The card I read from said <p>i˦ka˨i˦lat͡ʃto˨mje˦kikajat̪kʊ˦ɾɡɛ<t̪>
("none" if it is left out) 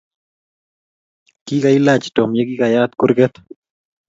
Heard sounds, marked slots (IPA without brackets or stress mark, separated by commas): k, t̪